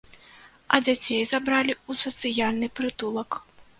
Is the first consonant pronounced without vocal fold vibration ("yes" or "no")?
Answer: no